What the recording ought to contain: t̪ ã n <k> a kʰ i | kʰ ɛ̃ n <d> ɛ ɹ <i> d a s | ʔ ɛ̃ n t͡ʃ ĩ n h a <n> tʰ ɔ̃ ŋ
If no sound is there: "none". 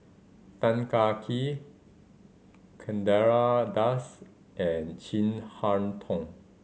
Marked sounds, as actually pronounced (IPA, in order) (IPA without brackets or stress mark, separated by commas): k, d, a, n